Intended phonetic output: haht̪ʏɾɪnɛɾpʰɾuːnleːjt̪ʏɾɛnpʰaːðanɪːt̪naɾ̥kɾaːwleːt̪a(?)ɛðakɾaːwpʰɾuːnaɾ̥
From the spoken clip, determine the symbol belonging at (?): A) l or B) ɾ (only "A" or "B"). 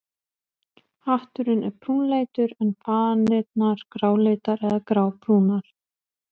B